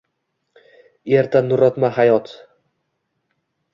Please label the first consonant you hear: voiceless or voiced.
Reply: voiced